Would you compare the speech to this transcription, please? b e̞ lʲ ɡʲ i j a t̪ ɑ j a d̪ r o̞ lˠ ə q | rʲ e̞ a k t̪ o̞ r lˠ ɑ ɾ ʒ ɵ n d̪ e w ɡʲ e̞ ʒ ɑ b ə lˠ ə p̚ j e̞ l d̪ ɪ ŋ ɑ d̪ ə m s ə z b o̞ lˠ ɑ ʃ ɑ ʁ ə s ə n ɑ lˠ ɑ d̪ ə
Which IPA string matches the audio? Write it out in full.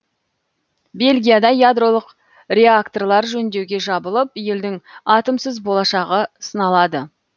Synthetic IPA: b e̞ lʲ ɡʲ i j a d̪ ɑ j a d̪ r o̞ lˠ ə q | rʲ e̞ a k t̪ o̞ r lˠ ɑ ɾ ʒ ɵ n d̪ e w ɡʲ e̞ ʒ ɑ b ə lˠ ə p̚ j e̞ l d̪ ɪ ŋ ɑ t̪ ə m s ə z b o̞ lˠ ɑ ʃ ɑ ʁ ə s ə n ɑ lˠ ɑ d̪ ə